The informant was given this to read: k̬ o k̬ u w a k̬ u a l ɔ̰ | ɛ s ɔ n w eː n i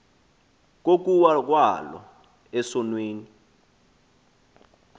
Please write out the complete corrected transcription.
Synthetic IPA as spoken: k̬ o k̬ u w a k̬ w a l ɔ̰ | ɛ s ɔ n w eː n i